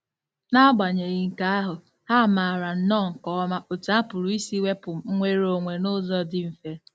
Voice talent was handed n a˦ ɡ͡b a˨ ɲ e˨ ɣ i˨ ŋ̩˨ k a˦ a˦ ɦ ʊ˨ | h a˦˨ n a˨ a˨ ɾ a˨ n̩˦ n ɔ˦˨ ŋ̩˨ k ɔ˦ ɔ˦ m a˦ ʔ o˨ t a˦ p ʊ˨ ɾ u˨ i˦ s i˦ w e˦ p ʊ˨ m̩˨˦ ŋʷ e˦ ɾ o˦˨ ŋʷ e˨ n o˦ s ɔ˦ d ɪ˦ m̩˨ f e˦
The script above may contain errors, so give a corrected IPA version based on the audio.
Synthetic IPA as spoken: n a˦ ɡ͡b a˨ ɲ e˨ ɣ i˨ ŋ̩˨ k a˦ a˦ ɦ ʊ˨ | h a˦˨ m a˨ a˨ ɾ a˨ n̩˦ n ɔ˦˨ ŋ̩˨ k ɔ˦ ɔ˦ m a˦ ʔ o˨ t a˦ p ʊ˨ ɾ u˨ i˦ s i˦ w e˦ p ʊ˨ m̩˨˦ ŋʷ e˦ ɾ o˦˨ ŋʷ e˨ n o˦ z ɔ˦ d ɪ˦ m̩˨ f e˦